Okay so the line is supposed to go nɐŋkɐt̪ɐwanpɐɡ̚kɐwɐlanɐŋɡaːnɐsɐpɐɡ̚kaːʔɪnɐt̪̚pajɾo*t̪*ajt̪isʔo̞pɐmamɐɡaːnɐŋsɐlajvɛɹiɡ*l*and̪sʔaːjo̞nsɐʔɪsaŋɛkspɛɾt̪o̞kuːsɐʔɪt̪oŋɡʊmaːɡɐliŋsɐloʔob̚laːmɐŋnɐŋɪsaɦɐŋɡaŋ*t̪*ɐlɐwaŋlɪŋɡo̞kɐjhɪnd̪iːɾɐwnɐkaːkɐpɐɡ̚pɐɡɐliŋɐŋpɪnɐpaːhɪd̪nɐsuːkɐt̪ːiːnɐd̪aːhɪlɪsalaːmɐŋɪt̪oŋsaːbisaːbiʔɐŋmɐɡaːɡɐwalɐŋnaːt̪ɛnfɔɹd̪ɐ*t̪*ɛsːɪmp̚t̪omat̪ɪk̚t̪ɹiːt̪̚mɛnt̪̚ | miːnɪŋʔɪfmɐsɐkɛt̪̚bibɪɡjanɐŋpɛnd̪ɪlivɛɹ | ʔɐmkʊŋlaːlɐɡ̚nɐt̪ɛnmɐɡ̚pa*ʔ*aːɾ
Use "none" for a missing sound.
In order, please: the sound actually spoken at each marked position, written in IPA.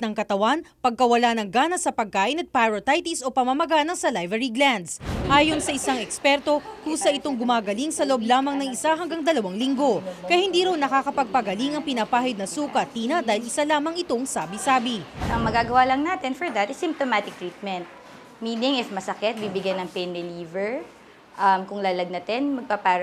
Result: t̪, l, d̪, t̪, p

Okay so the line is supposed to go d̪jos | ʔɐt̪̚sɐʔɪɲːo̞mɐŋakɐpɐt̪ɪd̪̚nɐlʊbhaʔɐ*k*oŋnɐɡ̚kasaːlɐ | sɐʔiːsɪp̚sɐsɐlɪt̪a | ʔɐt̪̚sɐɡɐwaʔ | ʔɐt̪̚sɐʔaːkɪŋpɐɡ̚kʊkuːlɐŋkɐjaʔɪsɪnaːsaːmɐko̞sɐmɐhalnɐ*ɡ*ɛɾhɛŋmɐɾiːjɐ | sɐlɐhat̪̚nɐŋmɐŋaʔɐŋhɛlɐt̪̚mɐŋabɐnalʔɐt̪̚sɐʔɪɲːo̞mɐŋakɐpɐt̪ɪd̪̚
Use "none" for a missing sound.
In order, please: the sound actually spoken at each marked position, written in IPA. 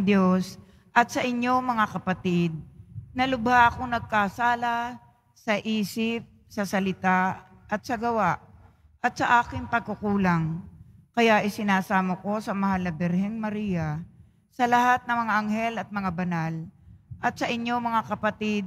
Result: k, b

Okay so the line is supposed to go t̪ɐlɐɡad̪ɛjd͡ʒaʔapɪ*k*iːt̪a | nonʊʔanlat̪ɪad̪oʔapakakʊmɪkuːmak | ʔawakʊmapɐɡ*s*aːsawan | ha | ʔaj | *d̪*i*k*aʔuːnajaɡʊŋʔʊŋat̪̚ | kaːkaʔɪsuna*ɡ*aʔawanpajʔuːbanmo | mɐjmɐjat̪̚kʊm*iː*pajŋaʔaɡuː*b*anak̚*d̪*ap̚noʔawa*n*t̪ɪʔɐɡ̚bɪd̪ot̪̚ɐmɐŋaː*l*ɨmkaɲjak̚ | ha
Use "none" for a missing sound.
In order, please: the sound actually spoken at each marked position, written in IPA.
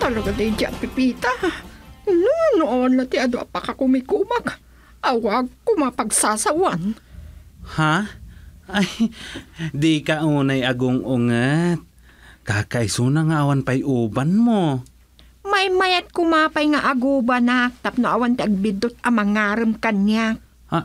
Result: p, s, d̪, k, ŋ, aː, b, t̪, n, ɾ

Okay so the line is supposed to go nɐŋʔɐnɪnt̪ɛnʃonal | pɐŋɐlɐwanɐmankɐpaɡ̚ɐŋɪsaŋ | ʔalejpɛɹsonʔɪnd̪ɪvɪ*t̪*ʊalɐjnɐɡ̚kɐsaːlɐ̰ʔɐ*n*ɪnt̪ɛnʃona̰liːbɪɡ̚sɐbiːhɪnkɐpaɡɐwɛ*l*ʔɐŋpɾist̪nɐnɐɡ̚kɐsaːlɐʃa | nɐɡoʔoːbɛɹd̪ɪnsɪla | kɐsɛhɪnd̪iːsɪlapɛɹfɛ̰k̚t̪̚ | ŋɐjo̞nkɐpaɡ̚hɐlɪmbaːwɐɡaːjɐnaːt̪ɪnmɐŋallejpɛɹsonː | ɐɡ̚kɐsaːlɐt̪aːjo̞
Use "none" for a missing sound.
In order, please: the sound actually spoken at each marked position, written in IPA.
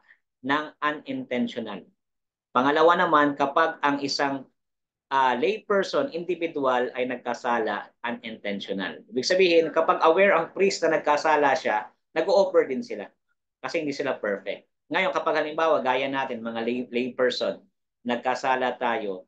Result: d̪, n, ɹ

